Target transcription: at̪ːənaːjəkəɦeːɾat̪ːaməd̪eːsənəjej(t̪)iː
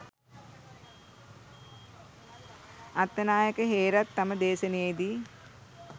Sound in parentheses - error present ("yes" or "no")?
yes